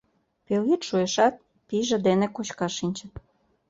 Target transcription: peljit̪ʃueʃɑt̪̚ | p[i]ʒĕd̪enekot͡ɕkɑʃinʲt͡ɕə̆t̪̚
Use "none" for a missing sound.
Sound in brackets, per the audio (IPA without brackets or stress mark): i